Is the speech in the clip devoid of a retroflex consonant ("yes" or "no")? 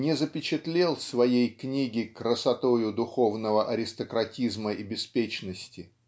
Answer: yes